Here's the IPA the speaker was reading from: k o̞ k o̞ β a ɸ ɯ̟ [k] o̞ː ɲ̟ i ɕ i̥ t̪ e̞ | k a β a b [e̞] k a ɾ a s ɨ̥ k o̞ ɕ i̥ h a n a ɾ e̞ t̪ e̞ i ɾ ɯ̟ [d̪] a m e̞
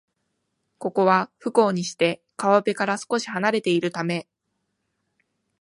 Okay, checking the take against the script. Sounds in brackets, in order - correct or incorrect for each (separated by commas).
correct, correct, incorrect